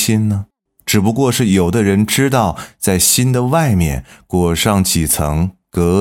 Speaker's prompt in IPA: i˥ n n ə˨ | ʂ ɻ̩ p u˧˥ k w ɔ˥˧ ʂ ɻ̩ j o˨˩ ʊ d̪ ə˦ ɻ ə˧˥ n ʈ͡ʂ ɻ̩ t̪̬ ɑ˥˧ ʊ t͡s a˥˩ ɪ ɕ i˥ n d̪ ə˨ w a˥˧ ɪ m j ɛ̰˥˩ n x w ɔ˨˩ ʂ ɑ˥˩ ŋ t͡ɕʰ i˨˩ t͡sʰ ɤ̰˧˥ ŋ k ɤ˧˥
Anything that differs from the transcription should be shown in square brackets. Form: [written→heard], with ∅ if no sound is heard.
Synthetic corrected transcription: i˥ n n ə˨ | [ʂ→ʈ͡ʂ] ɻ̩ p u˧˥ k w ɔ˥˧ ʂ ɻ̩ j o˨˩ ʊ d̪ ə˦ ɻ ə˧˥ n ʈ͡ʂ ɻ̩ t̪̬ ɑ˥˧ ʊ t͡s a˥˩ ɪ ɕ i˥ n d̪ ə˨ w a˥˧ ɪ m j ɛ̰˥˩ n [x→k] w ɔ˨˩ ʂ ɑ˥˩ ŋ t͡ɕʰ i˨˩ t͡sʰ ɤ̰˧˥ ŋ k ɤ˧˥